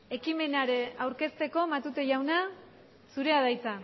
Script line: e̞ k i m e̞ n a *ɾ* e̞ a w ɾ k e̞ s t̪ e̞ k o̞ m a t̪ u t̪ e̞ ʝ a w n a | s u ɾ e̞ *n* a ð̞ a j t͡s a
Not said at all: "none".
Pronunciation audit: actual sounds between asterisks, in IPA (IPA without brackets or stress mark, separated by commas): ɾ, none